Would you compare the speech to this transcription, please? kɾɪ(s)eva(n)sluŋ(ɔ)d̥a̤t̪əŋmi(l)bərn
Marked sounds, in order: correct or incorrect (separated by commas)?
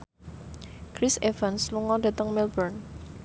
correct, correct, correct, correct